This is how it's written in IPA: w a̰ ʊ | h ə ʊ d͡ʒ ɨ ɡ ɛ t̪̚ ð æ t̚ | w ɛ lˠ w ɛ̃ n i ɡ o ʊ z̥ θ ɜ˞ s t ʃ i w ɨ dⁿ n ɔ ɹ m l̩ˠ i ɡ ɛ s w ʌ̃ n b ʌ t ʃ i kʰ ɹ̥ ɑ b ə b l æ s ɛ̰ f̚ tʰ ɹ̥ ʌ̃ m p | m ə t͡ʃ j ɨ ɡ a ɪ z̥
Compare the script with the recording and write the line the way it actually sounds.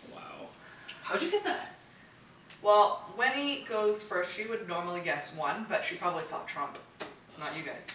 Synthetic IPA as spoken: w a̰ ʊ | h a ʊ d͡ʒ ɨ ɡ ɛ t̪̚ ð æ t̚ | w ɛ lˠ w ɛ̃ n i ɡ o ʊ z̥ f ɜ˞ s t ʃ i w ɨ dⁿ n ɔ ɹ m l̩ˠ i ɡ ɛ s w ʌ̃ n b ʌ t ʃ i pʰ ɹ̥ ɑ b ə b l i s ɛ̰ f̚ tʰ ɹ̥ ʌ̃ m p | n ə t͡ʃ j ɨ ɡ a ɪ z̥